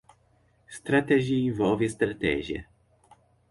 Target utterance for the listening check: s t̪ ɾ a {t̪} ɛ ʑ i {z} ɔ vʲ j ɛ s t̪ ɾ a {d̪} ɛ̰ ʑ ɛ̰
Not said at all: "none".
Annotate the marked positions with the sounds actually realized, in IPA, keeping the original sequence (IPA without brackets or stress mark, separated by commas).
t̪, v, t̪